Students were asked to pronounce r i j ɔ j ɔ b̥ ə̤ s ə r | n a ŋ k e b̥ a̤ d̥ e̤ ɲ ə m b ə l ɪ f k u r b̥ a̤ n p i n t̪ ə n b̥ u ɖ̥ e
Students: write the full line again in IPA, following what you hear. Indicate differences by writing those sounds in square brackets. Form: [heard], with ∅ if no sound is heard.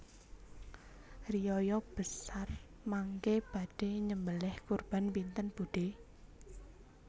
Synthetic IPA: r i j ɔ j ɔ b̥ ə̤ s [a] r | [m] a ŋ k e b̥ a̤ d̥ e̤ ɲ ə m b ə l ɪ [h] k u r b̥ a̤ n p i n t̪ ə n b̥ u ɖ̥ e